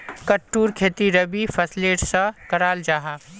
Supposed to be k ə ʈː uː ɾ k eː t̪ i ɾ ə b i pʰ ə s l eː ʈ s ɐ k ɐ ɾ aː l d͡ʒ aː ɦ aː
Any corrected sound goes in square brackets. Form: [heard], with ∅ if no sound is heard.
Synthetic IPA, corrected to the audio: k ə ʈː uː ɾ [kʰ] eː t̪ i ɾ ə b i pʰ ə s l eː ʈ s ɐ k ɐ ɾ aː l d͡ʒ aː ɦ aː

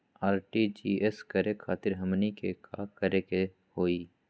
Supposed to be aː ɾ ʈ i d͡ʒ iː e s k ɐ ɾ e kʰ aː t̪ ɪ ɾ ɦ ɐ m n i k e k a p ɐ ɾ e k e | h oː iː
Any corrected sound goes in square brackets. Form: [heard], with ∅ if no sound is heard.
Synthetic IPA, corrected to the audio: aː ɾ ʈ i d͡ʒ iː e s k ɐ ɾ e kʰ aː t̪ ɪ ɾ ɦ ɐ m n i k e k a [k] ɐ ɾ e k e | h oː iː

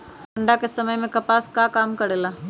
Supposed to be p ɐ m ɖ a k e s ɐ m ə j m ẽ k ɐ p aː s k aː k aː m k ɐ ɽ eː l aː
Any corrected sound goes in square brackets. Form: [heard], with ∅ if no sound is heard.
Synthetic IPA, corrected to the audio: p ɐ [ɳ] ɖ a k e s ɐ m ə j m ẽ k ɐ p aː s k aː k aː m k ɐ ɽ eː l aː

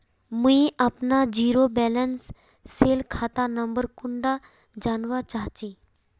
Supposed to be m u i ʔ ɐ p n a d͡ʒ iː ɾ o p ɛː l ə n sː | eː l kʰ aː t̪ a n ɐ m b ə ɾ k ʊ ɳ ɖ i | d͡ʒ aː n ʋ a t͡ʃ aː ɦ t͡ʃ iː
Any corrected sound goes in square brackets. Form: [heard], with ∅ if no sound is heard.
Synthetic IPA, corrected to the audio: m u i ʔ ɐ p n a d͡ʒ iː ɾ o [b] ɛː l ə n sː | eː l kʰ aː t̪ a n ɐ m b ə ɾ k ʊ ɳ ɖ [a] | d͡ʒ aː n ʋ a t͡ʃ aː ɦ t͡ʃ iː

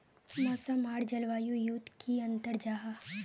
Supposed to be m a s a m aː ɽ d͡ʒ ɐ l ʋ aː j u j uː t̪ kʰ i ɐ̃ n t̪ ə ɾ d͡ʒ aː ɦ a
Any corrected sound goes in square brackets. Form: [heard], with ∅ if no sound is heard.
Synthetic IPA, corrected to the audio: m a s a m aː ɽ d͡ʒ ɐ l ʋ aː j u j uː t̪ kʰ i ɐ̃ n t̪ ə ɾ d͡ʒ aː ɦ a

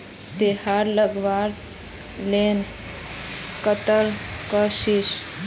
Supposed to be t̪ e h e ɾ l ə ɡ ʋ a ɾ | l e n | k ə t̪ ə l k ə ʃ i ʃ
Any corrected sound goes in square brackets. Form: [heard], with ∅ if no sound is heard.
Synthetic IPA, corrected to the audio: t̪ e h [a] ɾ l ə ɡ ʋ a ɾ | l e n | k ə t̪ ə l k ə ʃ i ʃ

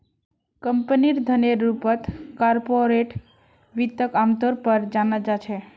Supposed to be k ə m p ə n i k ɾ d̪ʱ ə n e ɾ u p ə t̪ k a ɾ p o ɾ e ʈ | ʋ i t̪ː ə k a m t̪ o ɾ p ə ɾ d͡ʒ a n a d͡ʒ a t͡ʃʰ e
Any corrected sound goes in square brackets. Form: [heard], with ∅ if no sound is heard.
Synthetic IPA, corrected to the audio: k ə m p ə n i [∅] ɾ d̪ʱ ə n e ɾ u p ə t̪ k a ɾ p o ɾ e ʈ | ʋ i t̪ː ə k a m t̪ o ɾ p ə ɾ d͡ʒ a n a d͡ʒ a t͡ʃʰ e

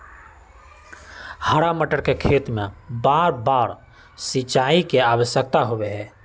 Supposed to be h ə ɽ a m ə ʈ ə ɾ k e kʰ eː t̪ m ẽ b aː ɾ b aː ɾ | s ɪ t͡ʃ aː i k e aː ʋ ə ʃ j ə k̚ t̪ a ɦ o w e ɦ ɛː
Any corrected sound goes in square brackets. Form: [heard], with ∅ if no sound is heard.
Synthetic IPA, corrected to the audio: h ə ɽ a m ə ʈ ə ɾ k e kʰ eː t̪ m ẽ b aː ɾ b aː ɾ | s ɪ t͡ʃ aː i k e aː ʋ ə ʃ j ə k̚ t̪ a ɦ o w e ɦ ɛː

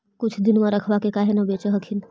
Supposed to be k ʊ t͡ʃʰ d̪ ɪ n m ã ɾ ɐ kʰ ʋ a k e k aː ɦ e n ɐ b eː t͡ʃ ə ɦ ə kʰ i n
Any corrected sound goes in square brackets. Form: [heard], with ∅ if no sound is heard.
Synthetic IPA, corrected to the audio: k ʊ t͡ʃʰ d̪ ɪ n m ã ɾ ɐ kʰ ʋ a k e k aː ɦ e n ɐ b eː t͡ʃ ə ɦ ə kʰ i n

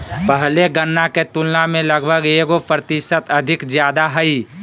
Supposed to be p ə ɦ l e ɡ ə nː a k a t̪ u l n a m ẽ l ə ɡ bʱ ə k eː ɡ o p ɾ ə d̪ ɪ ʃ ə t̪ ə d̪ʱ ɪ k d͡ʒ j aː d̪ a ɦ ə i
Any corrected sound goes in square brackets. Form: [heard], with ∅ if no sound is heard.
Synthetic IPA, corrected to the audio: p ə ɦ l e ɡ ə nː a k [e] t̪ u l n a m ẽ l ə ɡ bʱ ə [ɡ] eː ɡ o p ɾ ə [t̪] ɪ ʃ ə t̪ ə d̪ʱ ɪ k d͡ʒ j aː d̪ a ɦ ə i

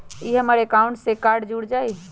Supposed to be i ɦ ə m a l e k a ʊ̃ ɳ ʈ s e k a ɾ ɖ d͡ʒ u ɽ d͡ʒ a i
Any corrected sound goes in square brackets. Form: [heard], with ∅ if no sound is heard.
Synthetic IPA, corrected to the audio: i ɦ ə m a [ɾ] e k a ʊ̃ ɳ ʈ s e k a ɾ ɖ d͡ʒ u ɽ d͡ʒ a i

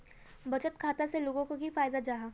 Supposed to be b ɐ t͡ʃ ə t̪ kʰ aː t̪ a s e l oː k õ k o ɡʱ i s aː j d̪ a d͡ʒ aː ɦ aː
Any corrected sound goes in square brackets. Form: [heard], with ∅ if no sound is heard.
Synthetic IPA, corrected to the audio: b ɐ t͡ʃ ə t̪ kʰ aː t̪ a s e l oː [ɡ] õ k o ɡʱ i [f] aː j d̪ a d͡ʒ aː ɦ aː

